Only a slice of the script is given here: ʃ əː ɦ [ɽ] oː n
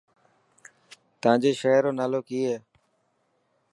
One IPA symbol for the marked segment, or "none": ɾ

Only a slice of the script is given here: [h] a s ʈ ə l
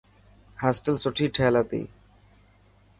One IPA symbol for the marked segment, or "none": h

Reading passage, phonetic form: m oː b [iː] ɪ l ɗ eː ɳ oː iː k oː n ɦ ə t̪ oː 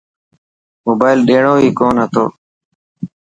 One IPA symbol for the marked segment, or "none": aː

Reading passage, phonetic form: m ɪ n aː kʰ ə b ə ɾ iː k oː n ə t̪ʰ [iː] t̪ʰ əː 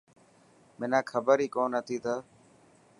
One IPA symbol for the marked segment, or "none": iː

